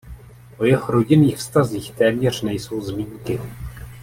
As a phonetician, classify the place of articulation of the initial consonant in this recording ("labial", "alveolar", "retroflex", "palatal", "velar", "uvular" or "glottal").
glottal